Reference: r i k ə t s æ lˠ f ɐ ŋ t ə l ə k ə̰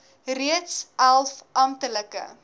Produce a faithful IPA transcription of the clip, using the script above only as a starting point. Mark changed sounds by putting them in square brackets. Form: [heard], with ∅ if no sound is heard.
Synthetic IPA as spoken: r i [∅] ə t s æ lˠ f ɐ [m] t ə l ə k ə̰